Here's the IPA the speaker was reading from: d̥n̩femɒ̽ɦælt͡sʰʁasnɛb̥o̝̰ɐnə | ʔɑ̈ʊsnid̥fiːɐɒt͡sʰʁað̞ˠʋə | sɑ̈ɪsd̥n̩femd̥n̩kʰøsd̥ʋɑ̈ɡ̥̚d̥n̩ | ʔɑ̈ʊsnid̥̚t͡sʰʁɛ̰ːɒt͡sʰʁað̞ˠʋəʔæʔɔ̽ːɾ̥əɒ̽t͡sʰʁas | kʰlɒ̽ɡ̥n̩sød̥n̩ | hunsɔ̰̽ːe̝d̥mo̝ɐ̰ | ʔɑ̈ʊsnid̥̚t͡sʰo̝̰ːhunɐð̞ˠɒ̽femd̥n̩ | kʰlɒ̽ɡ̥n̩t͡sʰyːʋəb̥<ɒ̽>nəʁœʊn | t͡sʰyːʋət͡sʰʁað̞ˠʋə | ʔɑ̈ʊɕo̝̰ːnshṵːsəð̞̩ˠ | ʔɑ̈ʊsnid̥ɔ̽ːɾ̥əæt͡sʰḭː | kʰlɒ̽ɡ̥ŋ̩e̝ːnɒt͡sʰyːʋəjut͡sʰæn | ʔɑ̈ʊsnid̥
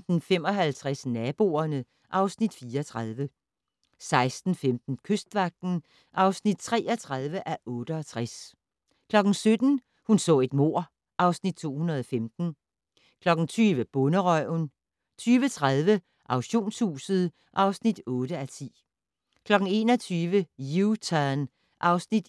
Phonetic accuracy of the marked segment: incorrect: ɔ̽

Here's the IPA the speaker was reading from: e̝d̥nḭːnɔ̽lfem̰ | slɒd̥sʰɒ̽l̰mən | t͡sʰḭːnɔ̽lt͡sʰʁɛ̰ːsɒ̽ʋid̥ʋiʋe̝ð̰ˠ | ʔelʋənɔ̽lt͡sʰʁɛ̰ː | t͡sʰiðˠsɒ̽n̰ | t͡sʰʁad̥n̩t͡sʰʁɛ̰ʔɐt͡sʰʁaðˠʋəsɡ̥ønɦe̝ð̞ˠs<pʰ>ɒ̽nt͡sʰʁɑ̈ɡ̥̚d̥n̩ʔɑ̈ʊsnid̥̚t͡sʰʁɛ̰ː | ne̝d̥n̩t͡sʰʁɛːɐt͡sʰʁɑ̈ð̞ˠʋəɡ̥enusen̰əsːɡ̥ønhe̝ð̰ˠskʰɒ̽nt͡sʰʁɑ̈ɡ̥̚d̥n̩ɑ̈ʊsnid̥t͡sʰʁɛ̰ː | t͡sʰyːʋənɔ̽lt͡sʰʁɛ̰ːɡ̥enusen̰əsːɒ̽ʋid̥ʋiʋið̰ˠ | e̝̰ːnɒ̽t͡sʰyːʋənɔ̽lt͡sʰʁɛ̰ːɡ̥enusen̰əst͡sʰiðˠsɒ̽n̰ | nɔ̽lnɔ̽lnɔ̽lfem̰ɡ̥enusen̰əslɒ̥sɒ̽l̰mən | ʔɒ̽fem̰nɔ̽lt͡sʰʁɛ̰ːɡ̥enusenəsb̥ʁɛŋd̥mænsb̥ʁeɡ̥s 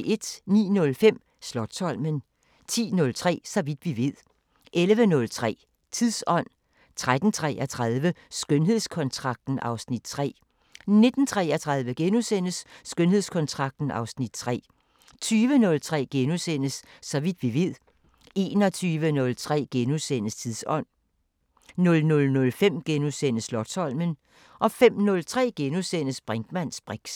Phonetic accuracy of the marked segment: incorrect: kʰ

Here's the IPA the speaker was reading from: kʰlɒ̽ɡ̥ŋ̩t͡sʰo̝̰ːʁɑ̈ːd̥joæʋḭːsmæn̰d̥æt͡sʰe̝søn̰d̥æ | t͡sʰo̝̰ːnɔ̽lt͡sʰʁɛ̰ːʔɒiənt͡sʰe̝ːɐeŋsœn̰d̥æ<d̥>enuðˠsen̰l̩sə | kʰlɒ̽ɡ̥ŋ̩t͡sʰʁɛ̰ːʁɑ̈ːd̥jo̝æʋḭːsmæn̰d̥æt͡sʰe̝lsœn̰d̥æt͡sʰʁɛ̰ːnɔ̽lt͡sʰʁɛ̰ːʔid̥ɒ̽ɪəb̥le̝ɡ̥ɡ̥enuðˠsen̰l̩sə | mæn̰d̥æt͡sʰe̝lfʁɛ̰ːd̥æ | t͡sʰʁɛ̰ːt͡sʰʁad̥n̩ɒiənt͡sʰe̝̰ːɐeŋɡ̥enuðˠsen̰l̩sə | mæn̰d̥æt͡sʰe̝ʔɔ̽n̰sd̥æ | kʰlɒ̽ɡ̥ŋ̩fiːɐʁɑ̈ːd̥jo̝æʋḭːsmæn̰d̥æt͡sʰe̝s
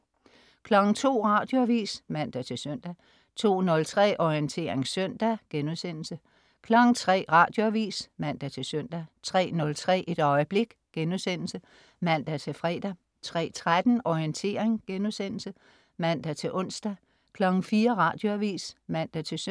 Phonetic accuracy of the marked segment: incorrect: ɡ̥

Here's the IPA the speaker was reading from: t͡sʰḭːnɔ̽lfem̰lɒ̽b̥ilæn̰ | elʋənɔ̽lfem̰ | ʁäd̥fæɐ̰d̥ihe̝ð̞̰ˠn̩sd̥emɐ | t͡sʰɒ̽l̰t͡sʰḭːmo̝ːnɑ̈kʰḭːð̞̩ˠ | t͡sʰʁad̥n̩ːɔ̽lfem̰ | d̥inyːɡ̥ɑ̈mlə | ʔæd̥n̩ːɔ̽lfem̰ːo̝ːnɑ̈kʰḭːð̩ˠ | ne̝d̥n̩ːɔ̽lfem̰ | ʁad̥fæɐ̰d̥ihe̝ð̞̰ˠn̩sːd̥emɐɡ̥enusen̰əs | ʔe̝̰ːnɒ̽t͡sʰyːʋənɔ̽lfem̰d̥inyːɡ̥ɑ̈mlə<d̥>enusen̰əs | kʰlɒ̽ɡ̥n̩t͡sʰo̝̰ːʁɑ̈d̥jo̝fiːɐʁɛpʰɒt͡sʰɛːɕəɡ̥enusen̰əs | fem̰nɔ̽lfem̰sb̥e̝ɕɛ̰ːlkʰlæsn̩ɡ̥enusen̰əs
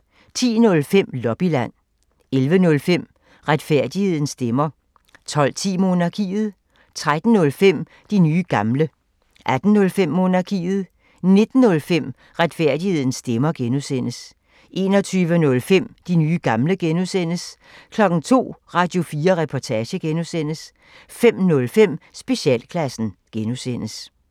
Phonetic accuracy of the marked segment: incorrect: ɡ̥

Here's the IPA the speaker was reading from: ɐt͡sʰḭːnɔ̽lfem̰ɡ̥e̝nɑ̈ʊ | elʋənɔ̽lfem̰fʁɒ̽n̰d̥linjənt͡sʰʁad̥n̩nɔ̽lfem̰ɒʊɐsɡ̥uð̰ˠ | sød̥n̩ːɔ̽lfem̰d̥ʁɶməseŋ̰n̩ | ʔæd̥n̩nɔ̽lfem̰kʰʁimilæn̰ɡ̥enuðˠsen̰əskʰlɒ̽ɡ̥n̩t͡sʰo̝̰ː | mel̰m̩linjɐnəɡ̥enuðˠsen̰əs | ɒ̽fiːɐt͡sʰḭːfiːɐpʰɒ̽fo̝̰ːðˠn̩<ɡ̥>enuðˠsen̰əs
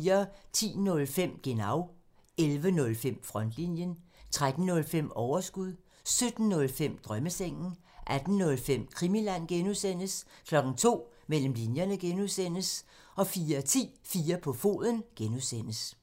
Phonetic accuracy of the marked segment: correct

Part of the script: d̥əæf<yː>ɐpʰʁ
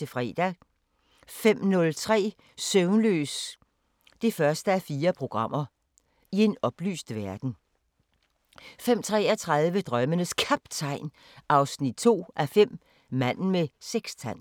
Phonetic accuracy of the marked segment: incorrect: iː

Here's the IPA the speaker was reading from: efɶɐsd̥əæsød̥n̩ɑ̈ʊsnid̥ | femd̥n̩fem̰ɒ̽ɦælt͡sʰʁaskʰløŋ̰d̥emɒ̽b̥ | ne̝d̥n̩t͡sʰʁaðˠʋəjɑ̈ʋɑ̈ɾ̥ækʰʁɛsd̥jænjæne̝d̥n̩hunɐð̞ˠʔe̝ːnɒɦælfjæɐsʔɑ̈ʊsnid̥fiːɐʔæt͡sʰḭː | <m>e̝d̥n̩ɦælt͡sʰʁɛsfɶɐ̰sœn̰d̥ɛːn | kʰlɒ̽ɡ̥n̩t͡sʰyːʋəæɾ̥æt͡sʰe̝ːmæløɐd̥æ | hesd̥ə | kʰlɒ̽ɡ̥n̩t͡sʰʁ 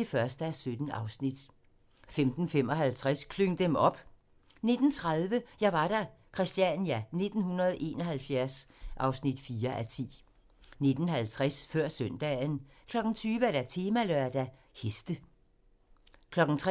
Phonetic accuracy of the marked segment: incorrect: n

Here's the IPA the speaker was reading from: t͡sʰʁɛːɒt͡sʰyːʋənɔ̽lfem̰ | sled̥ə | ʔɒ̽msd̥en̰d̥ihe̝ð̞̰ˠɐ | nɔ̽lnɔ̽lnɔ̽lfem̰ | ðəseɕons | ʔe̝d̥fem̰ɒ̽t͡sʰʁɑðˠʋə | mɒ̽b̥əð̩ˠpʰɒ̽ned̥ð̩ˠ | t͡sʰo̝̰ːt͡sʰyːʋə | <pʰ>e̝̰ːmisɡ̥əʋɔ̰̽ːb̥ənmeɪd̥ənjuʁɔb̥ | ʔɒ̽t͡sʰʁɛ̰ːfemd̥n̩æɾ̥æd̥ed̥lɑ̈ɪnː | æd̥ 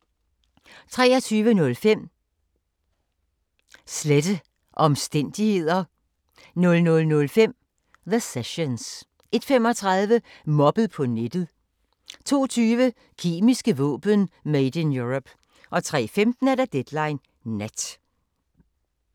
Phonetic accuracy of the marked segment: incorrect: kʰ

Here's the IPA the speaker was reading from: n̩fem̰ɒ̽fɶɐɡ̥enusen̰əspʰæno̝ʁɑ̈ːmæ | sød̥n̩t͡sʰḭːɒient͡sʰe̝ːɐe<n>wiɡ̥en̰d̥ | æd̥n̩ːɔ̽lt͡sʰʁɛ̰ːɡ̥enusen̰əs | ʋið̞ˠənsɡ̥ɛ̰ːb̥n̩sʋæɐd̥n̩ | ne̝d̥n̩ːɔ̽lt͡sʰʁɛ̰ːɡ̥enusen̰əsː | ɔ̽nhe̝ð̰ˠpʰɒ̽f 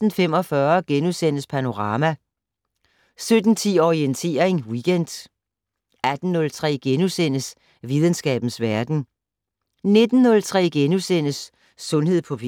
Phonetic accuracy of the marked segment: incorrect: ŋ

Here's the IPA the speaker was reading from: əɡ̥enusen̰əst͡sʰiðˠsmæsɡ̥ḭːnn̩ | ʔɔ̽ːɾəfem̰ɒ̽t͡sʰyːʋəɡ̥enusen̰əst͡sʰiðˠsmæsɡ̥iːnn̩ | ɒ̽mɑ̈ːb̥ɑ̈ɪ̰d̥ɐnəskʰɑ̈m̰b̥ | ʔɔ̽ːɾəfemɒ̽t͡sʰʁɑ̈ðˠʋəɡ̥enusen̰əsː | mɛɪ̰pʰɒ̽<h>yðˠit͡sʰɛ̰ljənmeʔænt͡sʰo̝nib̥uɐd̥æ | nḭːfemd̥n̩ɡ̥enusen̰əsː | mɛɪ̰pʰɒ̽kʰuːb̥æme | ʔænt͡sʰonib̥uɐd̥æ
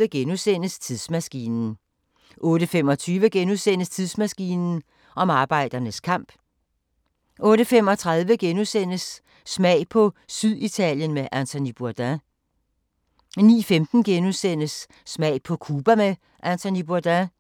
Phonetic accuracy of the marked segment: incorrect: s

